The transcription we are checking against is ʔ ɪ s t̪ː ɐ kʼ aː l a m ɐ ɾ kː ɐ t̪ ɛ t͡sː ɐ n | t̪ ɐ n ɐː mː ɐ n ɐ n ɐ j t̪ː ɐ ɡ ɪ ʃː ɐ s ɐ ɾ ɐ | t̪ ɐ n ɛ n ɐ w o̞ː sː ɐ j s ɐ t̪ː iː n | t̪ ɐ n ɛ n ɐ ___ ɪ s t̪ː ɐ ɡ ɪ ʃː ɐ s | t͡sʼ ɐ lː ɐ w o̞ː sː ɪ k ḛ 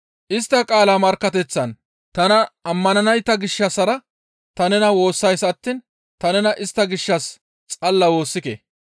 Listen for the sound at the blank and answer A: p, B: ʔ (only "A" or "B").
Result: B